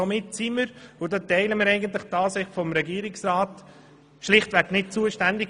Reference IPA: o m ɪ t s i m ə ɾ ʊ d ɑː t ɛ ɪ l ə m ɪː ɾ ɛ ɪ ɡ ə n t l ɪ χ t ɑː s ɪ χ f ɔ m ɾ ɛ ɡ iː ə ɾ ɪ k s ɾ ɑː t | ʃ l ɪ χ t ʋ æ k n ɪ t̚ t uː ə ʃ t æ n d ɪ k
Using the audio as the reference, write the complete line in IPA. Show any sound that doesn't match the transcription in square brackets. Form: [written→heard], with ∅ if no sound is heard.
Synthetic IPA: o m ɪ t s i m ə ɾ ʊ d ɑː t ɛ ɪ l ə m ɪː ɾ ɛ ɪ ɡ ə n t l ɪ χ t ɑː s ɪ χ f ɔ m ɾ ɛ ɡ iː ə ɾ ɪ k s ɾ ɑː t | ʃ l ɪ χ t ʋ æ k n ɪ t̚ [t→t͡s] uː ə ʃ t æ n d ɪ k